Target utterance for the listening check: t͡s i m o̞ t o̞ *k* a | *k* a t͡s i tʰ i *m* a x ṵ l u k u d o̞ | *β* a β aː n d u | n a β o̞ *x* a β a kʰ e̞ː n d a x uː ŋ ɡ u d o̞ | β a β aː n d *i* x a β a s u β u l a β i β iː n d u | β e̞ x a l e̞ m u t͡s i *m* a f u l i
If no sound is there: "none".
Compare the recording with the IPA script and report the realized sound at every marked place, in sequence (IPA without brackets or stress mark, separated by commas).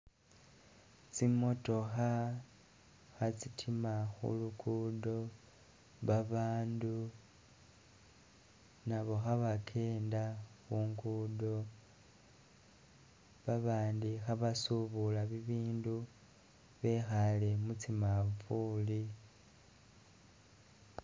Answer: x, x, m, β, x, i, m